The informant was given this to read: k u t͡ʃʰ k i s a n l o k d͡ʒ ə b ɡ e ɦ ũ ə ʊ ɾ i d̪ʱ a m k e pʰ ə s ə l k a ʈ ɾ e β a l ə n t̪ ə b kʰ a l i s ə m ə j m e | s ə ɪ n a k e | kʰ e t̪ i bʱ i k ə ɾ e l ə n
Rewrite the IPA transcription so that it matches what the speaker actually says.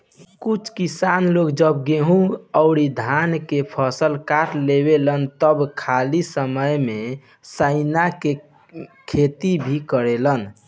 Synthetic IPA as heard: k u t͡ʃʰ k i s a n l o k d͡ʒ ə b ɡ e ɦ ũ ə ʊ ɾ i d̪ʱ a n k e pʰ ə s ə l k a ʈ l e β e l ə n t̪ ə b kʰ a l i s ə m ə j m e | s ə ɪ n a k e | kʰ e t̪ i bʱ i k ə ɾ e l ə n

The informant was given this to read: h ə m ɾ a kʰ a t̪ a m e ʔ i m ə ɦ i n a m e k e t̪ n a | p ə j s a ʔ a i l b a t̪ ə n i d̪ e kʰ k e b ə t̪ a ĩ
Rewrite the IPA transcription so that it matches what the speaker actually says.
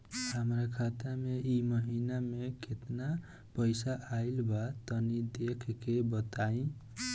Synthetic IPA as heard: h ə m ɾ a kʰ a t̪ a m e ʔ i m ə ɦ i n a m e k e t̪ n a | p ə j s a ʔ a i l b a t̪ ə n i d̪ e kʰ k e b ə t̪ a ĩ

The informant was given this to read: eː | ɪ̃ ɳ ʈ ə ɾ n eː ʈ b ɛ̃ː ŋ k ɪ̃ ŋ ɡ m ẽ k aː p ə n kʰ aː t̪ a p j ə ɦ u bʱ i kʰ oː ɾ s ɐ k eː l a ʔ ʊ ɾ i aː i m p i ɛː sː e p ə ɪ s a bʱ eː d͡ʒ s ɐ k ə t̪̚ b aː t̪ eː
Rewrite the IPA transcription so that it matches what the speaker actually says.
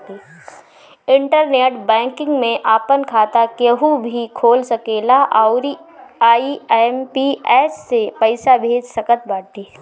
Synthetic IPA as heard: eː | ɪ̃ ɳ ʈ ə ɾ n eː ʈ b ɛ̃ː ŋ k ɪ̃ ŋ ɡ m ẽ ʔ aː p ə n kʰ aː t̪ a k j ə ɦ u bʱ i kʰ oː l s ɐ k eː l a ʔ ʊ ɾ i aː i m p i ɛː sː e p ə ɪ s a bʱ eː d͡ʒ s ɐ k ə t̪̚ b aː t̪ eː

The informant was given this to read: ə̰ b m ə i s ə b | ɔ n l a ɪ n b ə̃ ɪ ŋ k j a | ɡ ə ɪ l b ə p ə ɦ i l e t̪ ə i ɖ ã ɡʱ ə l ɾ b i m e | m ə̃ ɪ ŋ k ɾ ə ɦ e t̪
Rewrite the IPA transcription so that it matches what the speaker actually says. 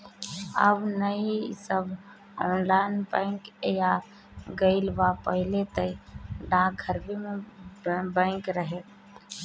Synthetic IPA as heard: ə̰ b n ə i s ə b | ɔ n l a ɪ n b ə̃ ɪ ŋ k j a | ɡ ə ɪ l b a p ə ɦ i l e t̪ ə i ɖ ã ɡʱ ə ɾ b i m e | b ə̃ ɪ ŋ k ɾ ə ɦ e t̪

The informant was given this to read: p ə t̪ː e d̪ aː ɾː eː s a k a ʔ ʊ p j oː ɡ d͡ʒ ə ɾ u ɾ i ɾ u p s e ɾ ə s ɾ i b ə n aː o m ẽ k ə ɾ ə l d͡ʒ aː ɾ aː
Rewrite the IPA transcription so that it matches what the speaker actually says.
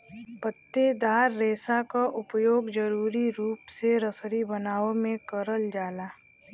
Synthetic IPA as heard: p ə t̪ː e d̪ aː ɾː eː s a k a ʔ ʊ p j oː ɡ d͡ʒ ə ɾ uː ɾ i ɾ uː p s e ɾ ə s ɾ i b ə n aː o m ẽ k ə ɾ ə l d͡ʒ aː l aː

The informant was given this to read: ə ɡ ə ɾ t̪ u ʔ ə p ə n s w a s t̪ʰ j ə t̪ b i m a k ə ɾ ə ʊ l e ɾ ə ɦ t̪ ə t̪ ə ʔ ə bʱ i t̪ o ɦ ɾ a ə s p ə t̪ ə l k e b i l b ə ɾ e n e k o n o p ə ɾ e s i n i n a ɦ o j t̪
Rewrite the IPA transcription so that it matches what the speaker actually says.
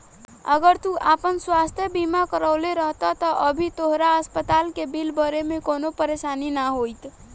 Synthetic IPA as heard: ə ɡ ə ɾ t̪ u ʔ a p ə n s w a s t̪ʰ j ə b i m a k ə ɾ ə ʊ l e ɾ ə ɦ t̪ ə t̪ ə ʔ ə bʱ i t̪ o ɦ ɾ a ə s p ə t̪ a l k e b i l b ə ɾ e m e k o n o p ə ɾ e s a n i n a ɦ o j t̪

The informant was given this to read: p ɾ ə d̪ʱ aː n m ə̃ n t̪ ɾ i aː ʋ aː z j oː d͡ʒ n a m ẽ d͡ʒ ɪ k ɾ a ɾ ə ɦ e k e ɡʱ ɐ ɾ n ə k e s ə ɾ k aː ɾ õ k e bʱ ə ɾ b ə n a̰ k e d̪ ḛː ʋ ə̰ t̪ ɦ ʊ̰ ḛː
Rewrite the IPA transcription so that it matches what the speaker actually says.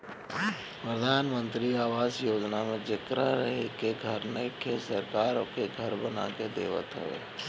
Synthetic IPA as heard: p ɾ ə d̪ʱ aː n m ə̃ n t̪ ɾ i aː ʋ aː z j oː d͡ʒ n a m ẽ d͡ʒ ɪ k ɾ a ɾ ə ɦ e k e ɡʱ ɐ ɾ n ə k e s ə ɾ k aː ɾ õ k e ɡʱ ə ɾ b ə n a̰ k e d̪ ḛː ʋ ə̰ t̪ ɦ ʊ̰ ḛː

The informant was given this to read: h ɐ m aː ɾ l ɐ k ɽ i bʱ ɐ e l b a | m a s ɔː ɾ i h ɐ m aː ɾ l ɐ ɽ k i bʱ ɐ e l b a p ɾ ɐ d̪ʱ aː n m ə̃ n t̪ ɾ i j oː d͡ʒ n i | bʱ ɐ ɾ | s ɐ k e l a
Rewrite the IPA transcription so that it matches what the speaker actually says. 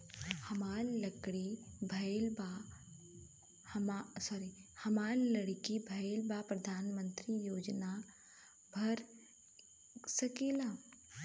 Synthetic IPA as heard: h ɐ m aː ɾ l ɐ k ɽ i bʱ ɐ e l b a | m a s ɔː ɾ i h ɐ m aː ɾ l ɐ ɽ k i bʱ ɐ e l b a p ɾ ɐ d̪ʱ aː n m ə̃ n t̪ ɾ i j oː d͡ʒ n a | bʱ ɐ ɾ | s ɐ k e l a

